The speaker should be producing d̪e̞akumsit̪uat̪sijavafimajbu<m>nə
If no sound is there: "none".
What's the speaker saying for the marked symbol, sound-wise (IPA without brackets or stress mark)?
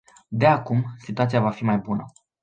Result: none